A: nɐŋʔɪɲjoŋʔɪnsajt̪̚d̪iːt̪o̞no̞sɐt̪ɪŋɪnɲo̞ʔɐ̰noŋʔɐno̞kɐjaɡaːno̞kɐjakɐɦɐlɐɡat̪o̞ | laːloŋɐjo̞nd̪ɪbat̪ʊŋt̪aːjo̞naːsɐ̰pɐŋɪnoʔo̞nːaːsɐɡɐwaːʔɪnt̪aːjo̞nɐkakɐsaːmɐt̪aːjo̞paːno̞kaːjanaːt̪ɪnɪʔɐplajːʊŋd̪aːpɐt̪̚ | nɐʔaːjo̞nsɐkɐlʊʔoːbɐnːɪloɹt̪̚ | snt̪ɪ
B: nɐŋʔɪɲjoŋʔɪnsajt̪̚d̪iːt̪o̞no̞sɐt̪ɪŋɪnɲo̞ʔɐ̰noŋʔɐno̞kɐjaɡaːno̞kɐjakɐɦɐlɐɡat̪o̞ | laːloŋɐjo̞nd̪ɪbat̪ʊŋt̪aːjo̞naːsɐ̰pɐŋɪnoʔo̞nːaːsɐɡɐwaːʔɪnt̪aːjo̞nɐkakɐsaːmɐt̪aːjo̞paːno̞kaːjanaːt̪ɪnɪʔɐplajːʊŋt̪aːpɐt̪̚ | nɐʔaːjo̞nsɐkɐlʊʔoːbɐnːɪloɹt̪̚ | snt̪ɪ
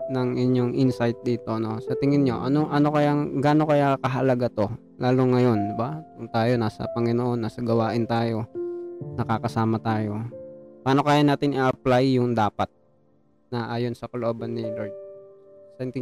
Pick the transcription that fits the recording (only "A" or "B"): A